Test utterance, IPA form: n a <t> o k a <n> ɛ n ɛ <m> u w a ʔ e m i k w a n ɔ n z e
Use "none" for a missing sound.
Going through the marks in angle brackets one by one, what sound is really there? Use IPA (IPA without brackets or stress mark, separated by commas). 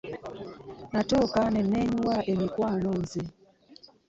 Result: t, n, ɲ